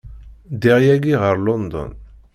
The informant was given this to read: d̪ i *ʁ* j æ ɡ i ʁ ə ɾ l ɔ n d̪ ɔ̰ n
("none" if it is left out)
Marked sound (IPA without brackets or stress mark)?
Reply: ʁ